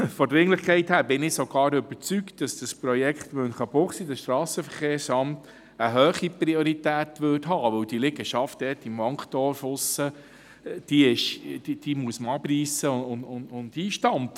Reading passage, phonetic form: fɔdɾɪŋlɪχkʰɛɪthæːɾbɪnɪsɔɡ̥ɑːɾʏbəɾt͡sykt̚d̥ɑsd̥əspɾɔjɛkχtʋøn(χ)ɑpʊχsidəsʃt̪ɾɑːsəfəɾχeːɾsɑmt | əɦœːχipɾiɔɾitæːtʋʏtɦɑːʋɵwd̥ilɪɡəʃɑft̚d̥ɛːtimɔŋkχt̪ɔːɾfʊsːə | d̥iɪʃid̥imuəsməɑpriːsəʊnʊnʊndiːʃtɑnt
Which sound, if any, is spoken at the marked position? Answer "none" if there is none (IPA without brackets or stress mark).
χ